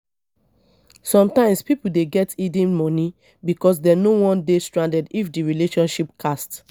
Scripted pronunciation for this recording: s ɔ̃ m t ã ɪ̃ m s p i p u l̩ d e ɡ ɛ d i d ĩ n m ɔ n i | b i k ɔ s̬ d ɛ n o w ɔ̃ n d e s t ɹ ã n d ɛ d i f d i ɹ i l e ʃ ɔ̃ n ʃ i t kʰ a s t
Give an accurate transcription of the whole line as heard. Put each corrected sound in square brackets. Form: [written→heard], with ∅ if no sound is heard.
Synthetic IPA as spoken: s ɔ̃ m t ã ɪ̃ m s p i p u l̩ d e ɡ ɛ [d→t] i d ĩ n m ɔ n i | b i k ɔ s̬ d ɛ n o w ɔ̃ n d e s t ɹ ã n d ɛ d i f d i ɹ i l e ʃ ɔ̃ n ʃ i [t→p] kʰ a s t